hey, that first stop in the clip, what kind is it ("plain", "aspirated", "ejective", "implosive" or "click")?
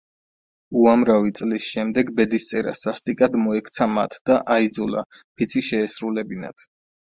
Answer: plain